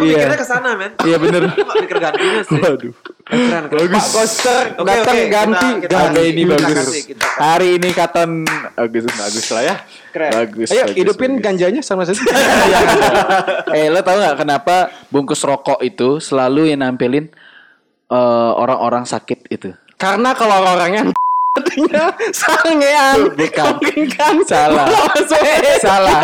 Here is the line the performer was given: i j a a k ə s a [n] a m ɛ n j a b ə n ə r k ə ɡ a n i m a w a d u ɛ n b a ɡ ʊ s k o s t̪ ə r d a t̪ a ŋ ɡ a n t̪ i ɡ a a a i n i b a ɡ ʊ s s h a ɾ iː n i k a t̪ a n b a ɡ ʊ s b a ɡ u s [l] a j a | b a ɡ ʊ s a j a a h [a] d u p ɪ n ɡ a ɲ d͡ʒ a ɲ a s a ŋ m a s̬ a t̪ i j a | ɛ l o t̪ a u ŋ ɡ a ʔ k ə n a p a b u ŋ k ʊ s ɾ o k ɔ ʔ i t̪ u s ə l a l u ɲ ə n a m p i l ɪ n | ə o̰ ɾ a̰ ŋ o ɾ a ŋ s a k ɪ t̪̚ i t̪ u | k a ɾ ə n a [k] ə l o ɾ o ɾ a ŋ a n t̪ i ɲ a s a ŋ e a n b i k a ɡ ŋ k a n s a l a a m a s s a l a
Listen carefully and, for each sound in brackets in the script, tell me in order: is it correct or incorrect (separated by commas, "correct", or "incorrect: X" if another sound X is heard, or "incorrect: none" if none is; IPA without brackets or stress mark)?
correct, correct, incorrect: i, correct